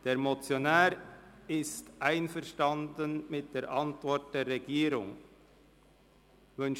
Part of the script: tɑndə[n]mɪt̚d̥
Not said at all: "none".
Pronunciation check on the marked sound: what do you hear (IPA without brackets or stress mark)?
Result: n